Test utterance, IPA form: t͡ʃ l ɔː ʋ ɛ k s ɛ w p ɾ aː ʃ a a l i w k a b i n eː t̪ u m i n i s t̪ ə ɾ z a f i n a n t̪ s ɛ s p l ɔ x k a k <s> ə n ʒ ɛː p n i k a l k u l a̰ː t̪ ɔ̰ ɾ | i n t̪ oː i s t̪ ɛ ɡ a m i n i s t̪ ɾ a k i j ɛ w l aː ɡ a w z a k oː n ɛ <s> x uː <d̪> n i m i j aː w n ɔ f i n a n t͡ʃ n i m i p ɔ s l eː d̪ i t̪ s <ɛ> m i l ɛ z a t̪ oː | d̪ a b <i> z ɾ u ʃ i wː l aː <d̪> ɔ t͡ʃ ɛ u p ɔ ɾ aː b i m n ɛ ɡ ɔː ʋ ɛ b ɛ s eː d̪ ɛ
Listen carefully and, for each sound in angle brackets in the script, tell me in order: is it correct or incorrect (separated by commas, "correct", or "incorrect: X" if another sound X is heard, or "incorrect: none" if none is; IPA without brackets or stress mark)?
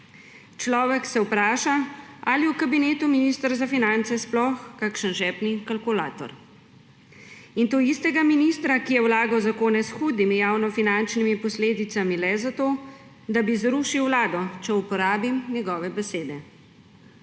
incorrect: ʃ, correct, correct, incorrect: a, correct, correct